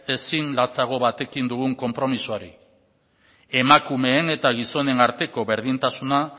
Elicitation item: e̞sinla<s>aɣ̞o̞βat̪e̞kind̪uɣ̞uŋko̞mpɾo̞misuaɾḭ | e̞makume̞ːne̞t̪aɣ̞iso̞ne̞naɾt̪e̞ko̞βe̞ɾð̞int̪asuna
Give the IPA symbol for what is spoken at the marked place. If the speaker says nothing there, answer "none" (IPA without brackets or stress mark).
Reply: t͡s